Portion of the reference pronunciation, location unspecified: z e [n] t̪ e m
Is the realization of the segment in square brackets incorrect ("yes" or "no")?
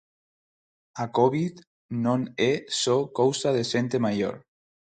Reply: no